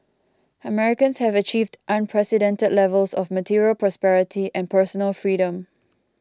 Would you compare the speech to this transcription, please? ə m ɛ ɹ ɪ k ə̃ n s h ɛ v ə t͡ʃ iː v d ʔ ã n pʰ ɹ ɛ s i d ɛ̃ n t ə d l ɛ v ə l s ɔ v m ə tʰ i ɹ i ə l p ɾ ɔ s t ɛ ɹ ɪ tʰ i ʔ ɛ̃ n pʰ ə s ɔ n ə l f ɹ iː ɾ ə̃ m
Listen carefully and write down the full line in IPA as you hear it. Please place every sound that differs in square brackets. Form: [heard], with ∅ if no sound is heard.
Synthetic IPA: ə m ɛ ɹ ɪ k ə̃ n s h ɛ v ə t͡ʃ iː v d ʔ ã n pʰ ɹ ɛ s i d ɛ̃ n t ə d l ɛ v ə l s ɔ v m ə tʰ i ɹ i ə l p [ɹ] ɔ s [p] ɛ ɹ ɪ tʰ i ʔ ɛ̃ n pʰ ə s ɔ n ə l f ɹ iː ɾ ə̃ m